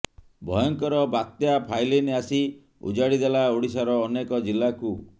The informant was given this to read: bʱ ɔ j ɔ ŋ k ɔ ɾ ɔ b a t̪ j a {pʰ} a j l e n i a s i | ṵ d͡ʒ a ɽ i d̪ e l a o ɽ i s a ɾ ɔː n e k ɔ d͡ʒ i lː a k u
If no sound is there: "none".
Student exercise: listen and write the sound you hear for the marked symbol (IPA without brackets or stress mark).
pʰ